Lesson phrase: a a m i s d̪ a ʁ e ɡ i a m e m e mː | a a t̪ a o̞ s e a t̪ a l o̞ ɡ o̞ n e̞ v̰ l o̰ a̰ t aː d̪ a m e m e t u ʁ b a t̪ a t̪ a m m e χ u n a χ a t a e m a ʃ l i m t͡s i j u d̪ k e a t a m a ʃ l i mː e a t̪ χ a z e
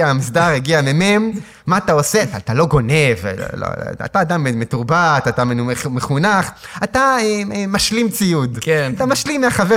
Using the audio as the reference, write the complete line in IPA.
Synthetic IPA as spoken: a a m i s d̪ a ʁ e ɡ i a m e m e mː | a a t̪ a o̞ s e a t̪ a l o̞ ɡ o̞ n e̞ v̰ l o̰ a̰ t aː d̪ a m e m e t u ʁ b a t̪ a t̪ a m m e χ u n a χ a t a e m a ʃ l i m t͡s i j u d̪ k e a t a m a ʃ l i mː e a χ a v e